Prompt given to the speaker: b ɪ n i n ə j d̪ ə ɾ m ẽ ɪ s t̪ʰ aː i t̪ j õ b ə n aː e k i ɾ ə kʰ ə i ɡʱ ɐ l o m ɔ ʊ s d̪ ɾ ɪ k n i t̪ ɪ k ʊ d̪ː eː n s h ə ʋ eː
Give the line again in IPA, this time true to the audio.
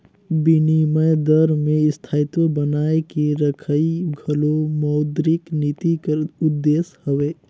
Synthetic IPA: b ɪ n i m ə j d̪ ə ɾ m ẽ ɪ s t̪ʰ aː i t̪ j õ b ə n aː e k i ɾ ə kʰ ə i ɡʱ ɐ l o m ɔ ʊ d̪ ɾ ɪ k n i t̪ i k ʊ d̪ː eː s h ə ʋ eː

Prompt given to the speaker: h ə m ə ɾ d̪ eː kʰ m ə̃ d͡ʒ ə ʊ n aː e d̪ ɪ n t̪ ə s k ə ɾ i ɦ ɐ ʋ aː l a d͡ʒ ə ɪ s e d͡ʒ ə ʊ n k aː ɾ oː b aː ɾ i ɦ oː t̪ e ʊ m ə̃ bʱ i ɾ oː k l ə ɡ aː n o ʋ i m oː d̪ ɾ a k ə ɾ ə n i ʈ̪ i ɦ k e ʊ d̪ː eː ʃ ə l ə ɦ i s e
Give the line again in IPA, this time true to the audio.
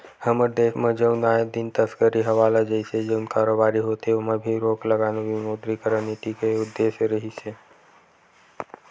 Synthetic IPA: h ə m ə ɾ d̪ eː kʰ m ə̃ d͡ʒ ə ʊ n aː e d̪ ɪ n t̪ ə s k ə ɾ i ɦ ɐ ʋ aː l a d͡ʒ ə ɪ s e d͡ʒ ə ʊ n k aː ɾ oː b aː ɾ i ɦ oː t̪ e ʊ m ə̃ bʱ i ɾ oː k l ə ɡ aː n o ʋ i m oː d̪ ɾ i k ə ɾ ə n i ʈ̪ i k e ʊ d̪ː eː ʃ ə ɾ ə ɦ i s e

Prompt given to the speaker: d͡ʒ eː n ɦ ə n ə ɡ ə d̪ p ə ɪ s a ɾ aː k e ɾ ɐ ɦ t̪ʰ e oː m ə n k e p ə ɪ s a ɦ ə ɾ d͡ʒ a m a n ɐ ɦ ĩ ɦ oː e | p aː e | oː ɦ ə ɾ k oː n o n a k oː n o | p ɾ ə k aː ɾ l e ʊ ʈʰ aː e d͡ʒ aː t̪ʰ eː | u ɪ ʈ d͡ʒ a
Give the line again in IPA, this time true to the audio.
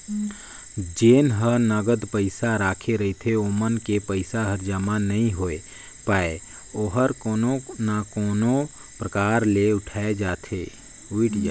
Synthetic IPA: d͡ʒ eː n ɦ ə n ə ɡ ə d̪ p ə ɪ s a ɾ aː kʰ e ɾ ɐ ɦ t̪ʰ e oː m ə n k e p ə ɪ s a ɦ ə ɾ d͡ʒ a m a n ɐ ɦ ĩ ɦ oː e | p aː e | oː ɦ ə ɾ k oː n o n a k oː n o | p ɾ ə k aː ɾ l e ʊ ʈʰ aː e d͡ʒ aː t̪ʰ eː | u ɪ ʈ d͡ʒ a

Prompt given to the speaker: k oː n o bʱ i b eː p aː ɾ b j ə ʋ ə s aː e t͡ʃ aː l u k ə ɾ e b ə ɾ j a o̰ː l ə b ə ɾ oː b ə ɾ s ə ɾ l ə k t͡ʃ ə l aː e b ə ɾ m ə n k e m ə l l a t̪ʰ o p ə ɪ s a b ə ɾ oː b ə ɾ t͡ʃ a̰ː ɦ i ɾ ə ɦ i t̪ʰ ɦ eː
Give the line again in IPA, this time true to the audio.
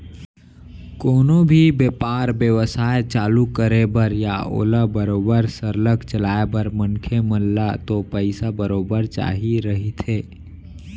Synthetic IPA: k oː n o bʱ i b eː p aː ɾ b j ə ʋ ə s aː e t͡ʃ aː l u k ə ɾ e b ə ɾ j a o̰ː l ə b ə ɾ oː b ə ɾ s ə ɾ l ə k t͡ʃ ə l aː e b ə ɾ m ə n kʰ e m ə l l a t̪ o p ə ɪ s a b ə ɾ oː b ə ɾ t͡ʃ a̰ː ɦ i ɾ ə ɦ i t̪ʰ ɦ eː

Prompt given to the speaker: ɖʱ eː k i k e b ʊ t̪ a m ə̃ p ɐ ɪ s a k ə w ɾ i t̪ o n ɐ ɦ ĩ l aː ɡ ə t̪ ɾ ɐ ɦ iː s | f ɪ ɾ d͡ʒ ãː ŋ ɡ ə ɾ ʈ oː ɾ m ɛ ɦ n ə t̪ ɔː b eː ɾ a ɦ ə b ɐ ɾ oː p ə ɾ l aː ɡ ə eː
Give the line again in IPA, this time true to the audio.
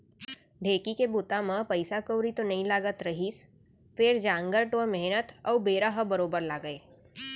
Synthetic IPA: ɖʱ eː k i k e b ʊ t̪ a m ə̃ p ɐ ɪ s a k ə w ɾ i t̪ o n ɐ ɦ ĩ l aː ɡ ə t̪ ɾ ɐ ɦ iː s | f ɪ ɾ d͡ʒ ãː ŋ ɡ ə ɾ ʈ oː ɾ m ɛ ɦ n ə t̪ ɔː b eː ɾ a ɦ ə b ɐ ɾ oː b ə ɾ l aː ɡ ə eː

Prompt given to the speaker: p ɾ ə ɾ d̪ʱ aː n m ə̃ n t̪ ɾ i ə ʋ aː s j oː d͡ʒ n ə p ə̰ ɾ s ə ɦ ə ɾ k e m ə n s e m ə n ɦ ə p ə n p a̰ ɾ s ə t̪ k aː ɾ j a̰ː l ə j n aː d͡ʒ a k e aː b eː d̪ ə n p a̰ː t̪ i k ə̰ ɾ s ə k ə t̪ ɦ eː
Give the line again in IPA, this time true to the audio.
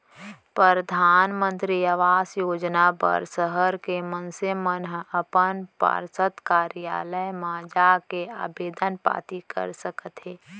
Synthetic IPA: p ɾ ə ɾ d̪ʱ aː n m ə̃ n t̪ ɾ i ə ʋ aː s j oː d͡ʒ n a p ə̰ ɾ s ə ɦ ə ɾ k e m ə n s e m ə n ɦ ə p ə n p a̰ ɾ s ə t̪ k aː ɾ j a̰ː l ə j m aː d͡ʒ a k e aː b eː d̪ ə n p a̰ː t̪ i k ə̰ ɾ s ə k ə t̪ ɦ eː

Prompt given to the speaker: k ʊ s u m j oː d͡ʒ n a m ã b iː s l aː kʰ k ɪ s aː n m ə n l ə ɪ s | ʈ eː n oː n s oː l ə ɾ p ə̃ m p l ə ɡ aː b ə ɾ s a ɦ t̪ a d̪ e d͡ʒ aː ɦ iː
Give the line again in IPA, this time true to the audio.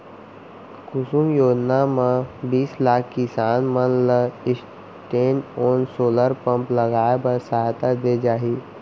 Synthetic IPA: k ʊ s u m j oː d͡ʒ n a m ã b iː s l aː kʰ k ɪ s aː n m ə n l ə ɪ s | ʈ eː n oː n s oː l ə ɾ p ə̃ m p l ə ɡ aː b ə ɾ s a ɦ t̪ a d̪ e d͡ʒ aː ɦ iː

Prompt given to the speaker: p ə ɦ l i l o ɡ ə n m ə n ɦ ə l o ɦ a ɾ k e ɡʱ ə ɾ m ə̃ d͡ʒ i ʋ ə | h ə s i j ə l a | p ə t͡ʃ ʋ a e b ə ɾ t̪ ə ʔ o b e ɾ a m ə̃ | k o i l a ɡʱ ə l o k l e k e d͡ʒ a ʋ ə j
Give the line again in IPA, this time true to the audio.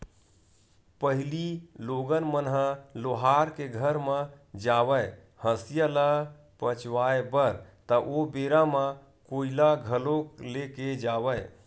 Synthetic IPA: p ə ɦ l i l o ɡ ə n m ə n ɦ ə l o ɦ a ɾ k e ɡʱ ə ɾ m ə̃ d͡ʒ a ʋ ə | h ə s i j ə l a | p ə t͡ʃ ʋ a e b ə ɾ t̪ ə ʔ o b e ɾ a m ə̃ | k o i l a ɡʱ ə l o k l e k e d͡ʒ a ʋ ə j

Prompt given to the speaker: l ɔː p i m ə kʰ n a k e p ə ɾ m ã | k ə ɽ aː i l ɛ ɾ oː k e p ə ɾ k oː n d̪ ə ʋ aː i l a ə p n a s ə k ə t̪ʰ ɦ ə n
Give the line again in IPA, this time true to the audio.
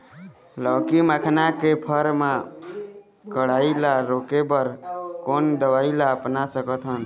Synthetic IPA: l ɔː k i m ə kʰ n a k e pʰ ə ɾ m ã | k ə ɽ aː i l a ɾ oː k e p ə ɾ k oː n d̪ ə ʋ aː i l a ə p n a s ə k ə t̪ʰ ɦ ə n

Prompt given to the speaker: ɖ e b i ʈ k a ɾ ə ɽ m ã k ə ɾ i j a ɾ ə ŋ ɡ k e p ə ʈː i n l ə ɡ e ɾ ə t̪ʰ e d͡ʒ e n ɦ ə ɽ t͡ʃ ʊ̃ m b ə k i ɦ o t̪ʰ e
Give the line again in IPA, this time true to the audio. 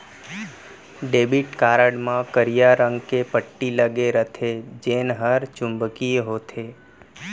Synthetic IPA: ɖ e b i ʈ k a ɾ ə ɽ m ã k ə ɾ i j a ɾ ə ŋ ɡ k e p ə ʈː i l ə ɡ e ɾ ə t̪ʰ e d͡ʒ e n ɦ ə ɾ t͡ʃ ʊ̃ m b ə k i ɦ o t̪ʰ e

